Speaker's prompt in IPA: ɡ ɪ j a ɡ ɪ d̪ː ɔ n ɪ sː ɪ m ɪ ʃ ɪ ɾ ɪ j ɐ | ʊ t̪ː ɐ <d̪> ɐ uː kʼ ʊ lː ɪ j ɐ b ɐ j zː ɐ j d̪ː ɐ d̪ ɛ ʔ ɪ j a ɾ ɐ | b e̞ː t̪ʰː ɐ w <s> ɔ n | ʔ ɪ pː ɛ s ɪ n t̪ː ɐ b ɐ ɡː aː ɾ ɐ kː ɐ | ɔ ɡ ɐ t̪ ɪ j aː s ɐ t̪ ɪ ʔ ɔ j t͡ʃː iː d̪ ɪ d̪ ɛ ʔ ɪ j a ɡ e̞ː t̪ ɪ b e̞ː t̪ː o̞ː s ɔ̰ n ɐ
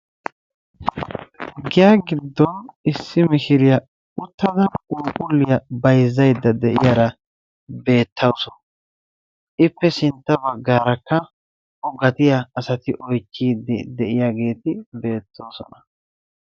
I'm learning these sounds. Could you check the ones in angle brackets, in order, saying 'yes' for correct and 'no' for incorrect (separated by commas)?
yes, yes